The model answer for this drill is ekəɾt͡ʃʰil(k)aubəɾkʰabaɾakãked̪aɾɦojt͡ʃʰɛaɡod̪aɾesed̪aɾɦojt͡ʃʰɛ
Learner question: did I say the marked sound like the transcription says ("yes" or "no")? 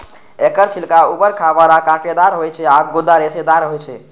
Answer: yes